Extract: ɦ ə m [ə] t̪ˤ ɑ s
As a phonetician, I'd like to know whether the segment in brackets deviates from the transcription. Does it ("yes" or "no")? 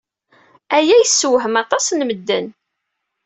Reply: yes